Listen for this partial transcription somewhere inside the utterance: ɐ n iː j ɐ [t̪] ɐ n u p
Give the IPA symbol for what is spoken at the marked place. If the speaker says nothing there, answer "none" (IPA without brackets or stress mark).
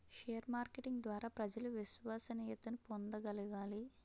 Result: t̪